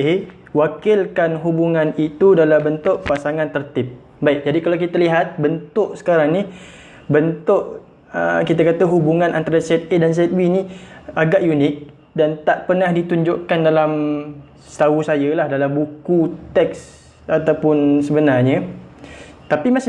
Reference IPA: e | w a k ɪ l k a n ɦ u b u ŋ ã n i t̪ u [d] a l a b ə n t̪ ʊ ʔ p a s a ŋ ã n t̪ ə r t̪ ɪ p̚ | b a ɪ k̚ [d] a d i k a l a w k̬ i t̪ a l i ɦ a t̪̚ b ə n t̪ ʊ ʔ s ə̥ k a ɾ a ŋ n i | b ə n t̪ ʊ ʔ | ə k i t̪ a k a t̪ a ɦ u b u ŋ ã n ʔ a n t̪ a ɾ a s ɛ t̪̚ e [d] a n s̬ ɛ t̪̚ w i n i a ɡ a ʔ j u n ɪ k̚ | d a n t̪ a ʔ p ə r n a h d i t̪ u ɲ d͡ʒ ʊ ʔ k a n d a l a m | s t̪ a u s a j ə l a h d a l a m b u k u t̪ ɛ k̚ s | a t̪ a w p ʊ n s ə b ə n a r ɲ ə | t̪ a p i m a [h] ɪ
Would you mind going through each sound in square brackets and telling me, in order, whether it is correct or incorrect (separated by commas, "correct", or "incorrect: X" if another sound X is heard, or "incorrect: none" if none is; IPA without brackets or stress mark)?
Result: correct, incorrect: d͡ʒ, correct, incorrect: s